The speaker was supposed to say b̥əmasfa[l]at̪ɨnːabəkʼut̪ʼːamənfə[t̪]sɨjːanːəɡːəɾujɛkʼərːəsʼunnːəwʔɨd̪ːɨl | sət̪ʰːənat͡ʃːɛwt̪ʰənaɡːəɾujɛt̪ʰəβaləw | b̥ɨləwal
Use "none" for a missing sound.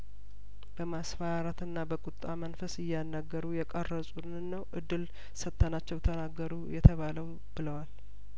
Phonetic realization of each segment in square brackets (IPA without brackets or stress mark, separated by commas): ɾ, none